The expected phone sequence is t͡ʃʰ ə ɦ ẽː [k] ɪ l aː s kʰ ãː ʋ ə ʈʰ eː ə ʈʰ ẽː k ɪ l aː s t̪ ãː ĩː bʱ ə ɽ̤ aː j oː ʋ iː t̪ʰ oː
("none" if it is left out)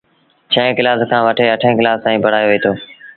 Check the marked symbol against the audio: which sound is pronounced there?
k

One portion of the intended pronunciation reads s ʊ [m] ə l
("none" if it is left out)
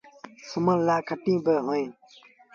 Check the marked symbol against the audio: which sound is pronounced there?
m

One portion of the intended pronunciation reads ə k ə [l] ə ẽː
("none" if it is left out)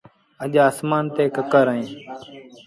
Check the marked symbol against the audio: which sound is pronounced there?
ɾ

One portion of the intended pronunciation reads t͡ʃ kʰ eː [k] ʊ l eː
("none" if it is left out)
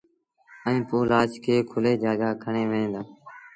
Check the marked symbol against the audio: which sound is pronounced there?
kʰ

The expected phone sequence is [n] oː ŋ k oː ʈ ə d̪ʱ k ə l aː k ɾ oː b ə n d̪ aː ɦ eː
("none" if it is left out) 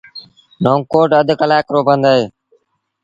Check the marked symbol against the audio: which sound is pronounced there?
n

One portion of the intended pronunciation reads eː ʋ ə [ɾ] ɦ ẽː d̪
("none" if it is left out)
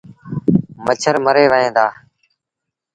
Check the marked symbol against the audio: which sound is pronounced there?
none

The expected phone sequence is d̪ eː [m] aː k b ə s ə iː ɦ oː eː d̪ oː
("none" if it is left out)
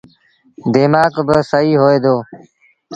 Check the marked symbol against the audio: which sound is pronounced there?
m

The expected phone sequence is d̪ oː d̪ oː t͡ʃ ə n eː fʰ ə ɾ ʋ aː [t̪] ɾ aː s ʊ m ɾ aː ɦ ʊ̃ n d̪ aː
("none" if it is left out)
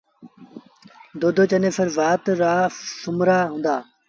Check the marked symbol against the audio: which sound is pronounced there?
t̪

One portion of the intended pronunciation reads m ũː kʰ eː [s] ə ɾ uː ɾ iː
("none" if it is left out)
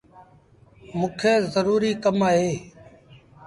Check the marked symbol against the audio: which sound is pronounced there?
z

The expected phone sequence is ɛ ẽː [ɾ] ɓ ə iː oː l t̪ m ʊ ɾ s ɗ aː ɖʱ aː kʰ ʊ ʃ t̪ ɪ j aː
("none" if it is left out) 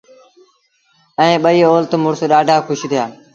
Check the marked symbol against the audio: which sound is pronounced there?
none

